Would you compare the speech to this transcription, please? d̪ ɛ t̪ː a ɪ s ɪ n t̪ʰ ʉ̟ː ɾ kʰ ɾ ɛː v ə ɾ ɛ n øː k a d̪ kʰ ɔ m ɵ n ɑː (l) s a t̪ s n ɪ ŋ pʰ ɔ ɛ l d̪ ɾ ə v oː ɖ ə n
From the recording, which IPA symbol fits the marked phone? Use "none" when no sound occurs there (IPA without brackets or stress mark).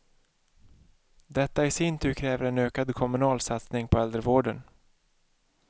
l